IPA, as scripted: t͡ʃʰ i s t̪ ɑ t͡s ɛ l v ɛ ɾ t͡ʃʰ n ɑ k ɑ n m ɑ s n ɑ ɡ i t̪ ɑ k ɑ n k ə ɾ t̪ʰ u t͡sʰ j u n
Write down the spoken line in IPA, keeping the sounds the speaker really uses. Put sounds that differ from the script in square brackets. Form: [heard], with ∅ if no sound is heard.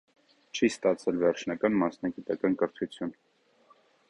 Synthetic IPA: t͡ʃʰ i s t̪ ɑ [t͡sʰ] ɛ l v ɛ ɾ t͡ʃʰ n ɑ k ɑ n m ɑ s n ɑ ɡ i t̪ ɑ k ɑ n k ə ɾ t̪ʰ u t͡sʰ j u n

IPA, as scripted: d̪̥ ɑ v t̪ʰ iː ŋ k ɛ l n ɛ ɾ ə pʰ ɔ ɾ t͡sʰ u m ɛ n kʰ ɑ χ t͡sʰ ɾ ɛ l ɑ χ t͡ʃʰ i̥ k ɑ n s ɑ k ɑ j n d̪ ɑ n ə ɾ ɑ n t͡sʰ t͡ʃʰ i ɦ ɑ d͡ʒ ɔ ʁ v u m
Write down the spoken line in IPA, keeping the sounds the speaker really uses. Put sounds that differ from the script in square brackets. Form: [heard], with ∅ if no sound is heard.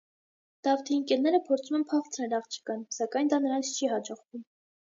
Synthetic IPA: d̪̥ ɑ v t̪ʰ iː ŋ k ɛ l n ɛ ɾ ə pʰ ɔ ɾ t͡sʰ u m ɛ n [pʰ] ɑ χ t͡sʰ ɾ ɛ l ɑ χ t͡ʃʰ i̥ k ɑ n s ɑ k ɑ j n d̪ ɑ n ə ɾ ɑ n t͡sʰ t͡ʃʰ i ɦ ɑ d͡ʒ ɔ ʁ v u m

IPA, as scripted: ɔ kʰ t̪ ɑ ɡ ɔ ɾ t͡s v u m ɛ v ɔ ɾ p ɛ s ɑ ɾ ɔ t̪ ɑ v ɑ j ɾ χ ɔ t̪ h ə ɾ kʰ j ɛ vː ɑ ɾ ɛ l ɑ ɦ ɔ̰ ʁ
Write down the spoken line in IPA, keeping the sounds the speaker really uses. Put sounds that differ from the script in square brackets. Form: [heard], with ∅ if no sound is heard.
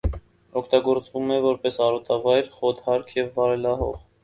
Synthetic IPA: ɔ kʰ t̪ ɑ ɡ ɔ ɾ t͡s v u m ɛ v ɔ ɾ p ɛ s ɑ ɾ ɔ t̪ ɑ v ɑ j ɾ χ ɔ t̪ h [ɑ] ɾ kʰ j ɛ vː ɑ ɾ ɛ l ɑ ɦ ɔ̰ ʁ

